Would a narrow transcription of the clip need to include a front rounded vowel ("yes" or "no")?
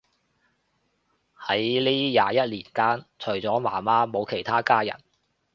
no